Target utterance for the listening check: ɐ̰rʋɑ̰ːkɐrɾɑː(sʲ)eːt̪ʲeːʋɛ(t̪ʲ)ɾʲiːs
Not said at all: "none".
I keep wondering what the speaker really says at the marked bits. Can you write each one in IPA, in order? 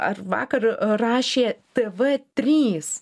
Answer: ʃʲ, t̪ʲ

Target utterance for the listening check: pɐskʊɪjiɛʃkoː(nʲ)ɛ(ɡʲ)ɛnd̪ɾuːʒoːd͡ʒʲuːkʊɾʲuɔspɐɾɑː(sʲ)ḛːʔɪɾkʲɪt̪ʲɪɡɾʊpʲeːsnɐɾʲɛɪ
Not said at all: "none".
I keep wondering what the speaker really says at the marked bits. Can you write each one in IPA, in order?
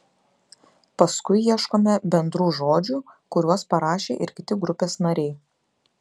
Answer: mʲ, bʲ, ʃʲ

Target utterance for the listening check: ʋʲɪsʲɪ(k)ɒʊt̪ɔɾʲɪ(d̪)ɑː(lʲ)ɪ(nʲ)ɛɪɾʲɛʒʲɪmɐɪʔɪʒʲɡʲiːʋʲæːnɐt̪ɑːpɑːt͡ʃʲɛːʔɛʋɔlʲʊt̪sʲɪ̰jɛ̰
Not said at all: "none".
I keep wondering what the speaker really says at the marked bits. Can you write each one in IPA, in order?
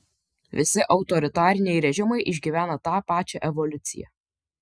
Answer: ʔ, t̪, ɾʲ, nʲ

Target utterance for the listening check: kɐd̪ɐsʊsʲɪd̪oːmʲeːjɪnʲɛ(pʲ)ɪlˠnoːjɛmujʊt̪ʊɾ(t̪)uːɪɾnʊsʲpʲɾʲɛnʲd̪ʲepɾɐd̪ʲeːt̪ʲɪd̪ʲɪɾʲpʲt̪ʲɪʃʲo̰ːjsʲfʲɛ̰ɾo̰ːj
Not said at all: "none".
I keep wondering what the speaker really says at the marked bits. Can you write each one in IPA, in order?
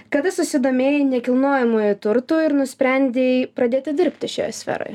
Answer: kʲ, t̪

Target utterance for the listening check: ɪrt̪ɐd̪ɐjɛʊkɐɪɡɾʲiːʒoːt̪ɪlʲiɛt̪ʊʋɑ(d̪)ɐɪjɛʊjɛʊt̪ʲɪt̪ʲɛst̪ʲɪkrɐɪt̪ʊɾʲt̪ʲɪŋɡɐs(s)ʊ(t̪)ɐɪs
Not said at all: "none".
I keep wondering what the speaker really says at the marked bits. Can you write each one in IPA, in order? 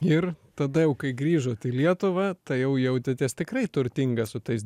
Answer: t̪, s, t̪

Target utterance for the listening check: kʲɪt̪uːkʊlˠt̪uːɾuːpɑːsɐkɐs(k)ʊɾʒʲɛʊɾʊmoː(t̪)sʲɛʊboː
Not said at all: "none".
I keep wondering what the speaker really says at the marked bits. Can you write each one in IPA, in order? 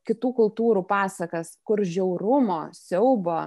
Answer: k, none

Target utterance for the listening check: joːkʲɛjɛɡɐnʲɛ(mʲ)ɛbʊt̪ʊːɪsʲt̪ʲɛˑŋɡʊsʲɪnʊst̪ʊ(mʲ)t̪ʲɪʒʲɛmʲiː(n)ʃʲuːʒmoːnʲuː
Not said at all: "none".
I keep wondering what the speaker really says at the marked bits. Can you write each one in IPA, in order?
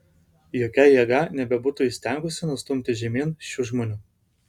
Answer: bʲ, mʲ, n

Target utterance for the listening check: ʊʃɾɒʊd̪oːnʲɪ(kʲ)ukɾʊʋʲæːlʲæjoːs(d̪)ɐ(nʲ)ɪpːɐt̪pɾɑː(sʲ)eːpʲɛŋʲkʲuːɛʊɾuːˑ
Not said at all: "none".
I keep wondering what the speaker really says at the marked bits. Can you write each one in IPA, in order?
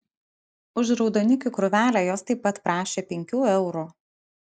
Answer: kʲ, t̪, none, ʃʲ

